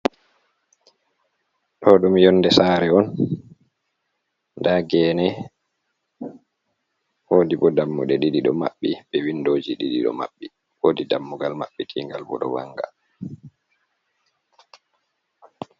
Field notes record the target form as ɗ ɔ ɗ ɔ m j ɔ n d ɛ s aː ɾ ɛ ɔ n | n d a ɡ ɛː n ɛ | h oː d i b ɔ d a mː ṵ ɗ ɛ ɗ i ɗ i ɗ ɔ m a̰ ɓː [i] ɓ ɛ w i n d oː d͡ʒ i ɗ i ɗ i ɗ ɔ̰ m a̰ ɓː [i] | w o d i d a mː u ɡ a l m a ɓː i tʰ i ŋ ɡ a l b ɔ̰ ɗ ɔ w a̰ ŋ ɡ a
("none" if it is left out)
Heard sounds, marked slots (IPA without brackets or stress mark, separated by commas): i, i